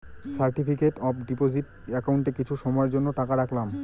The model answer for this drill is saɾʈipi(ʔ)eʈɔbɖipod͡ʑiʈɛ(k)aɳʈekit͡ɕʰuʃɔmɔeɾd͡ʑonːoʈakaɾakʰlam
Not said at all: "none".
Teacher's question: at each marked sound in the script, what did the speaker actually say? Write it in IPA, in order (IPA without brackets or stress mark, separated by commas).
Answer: k, k